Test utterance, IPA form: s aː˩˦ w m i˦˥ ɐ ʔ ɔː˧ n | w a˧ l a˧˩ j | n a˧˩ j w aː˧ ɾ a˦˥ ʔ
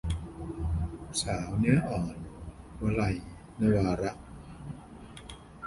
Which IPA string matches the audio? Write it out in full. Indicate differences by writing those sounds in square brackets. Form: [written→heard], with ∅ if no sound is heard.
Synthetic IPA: s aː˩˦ w [m→n] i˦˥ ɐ ʔ [ɔː˧→ɔː˨˩] n | w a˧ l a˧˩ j | n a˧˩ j w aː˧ ɾ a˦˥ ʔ